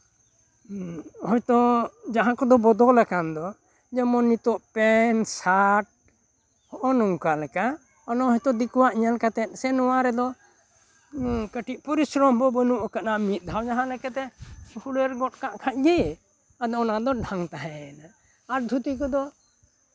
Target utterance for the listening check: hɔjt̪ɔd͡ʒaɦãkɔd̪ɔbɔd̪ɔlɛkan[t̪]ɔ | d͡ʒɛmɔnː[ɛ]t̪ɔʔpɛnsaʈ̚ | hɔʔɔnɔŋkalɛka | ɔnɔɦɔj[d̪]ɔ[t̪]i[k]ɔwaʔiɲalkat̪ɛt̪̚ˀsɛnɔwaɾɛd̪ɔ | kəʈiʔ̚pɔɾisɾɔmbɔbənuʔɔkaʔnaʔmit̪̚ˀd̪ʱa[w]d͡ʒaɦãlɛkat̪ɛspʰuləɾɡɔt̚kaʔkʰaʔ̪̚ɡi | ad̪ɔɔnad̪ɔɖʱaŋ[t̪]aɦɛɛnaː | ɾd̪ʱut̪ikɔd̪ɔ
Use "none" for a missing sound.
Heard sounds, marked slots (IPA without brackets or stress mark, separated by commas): d̪, i, t̪, d̪, k, w, t̪